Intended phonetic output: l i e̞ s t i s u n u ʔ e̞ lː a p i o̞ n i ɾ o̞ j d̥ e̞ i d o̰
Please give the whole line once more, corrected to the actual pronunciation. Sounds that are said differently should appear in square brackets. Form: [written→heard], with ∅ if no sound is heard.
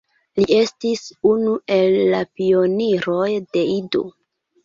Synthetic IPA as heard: l i e̞ s t i s u n u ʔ e̞ lː a p i o̞ n i ɾ o̞ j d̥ e̞ i d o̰